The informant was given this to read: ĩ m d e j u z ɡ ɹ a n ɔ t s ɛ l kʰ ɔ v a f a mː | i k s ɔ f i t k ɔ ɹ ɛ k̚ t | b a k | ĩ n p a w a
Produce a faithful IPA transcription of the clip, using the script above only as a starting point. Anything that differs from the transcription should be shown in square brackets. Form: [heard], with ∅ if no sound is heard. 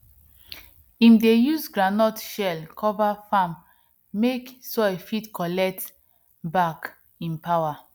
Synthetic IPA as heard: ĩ m d e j u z ɡ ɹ a n ɔ t [ʃ] ɛ l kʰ ɔ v a f a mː | [e] k s ɔ f i t k ɔ [l] ɛ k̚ t | b a k | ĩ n p a w a